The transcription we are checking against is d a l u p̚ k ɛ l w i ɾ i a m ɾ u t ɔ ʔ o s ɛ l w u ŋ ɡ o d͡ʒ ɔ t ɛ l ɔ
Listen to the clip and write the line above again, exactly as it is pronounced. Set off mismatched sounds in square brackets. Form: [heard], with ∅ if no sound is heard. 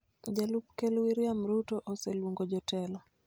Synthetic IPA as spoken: [d͡ʒ] a l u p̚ k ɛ l w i ɾ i a m ɾ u t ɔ ʔ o s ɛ l w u ŋ ɡ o d͡ʒ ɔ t ɛ l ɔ

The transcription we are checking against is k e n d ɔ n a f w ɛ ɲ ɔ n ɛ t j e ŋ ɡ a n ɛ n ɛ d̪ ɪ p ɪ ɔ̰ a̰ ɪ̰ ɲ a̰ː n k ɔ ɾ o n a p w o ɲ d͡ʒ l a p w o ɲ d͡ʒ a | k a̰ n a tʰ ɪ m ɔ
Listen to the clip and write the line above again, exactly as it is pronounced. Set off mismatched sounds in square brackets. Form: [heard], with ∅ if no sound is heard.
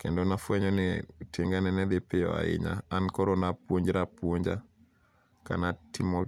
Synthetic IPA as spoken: k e n d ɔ n a f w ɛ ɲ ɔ n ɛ t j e ŋ ɡ a n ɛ n ɛ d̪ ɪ p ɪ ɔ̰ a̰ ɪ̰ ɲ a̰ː n k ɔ ɾ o n a p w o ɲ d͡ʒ [ɾ] a p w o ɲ d͡ʒ a | k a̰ n a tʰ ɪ m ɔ

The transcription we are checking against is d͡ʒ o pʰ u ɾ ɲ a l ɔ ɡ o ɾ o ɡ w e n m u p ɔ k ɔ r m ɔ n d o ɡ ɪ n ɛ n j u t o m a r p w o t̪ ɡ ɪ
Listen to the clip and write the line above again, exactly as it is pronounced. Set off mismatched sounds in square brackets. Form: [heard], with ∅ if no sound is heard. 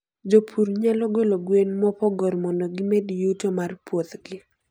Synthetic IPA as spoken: d͡ʒ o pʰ u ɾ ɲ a l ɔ ɡ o [l] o ɡ w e n m [ɔ] p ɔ [ɡ] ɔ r m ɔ n d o ɡ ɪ [m] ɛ [d] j u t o m a r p w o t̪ ɡ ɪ

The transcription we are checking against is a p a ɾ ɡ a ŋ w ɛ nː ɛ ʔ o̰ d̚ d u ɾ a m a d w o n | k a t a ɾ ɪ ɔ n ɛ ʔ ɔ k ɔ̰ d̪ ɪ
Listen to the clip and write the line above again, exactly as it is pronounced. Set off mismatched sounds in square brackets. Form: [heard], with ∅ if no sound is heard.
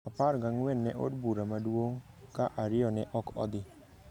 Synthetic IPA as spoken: a p a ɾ ɡ a ŋ w ɛ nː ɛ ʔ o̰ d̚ [b] u ɾ a m a d w o [ŋ] | k a [ʔ] a ɾ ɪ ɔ n ɛ ʔ ɔ k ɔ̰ d̪ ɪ

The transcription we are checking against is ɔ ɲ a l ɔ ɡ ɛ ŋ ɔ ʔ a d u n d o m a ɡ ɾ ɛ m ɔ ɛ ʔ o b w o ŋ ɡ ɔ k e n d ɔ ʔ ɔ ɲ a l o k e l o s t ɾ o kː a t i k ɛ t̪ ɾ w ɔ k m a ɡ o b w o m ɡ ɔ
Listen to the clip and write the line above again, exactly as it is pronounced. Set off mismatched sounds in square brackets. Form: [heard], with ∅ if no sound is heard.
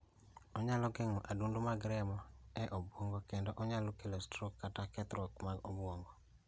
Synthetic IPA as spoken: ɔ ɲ a l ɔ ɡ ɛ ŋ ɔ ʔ a d u n d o m a ɡ ɾ ɛ m ɔ ɛ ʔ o b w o ŋ ɡ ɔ k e n d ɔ ʔ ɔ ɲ a l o k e l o s t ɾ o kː a t [a] k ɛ t̪ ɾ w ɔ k m a ɡ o b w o [ŋ] ɡ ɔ

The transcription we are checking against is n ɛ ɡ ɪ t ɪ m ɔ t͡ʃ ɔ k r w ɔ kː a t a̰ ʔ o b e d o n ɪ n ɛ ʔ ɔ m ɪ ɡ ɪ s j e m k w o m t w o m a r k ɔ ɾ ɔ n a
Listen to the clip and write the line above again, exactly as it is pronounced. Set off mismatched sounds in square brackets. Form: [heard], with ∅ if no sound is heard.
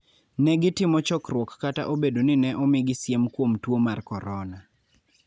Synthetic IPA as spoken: n ɛ ɡ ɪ t ɪ m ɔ t͡ʃ ɔ k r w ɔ kː a t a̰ ʔ o b e d o n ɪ n ɛ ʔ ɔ m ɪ ɡ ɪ s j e m k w o m t w o m a r k ɔ ɾ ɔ n a

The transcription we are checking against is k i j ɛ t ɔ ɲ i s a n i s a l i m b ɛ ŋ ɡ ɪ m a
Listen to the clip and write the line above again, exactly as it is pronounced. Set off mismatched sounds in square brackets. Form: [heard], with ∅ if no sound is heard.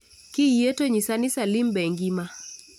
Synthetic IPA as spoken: k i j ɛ t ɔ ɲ i s a n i s a l i m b ɛ ŋ ɡ [i] m a

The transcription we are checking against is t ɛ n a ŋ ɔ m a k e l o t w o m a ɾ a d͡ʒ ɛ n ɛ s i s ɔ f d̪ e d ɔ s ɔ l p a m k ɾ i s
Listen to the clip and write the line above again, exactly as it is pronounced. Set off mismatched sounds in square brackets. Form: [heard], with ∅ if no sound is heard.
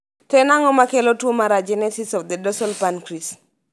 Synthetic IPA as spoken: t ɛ n a ŋ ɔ m a k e l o t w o m a ɾ a d͡ʒ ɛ n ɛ s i s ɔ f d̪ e d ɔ s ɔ l p a [n] k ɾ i s

